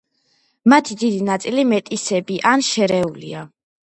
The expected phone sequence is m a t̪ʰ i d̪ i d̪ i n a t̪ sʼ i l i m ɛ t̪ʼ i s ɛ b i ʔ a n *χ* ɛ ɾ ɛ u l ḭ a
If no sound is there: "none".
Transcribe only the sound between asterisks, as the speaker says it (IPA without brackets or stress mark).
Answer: ʃ